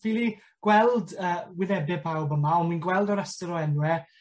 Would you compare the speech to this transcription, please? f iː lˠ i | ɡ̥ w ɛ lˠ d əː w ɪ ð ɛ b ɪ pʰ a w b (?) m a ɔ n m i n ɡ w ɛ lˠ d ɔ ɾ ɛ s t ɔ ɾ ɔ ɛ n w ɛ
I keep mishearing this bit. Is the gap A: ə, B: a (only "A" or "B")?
A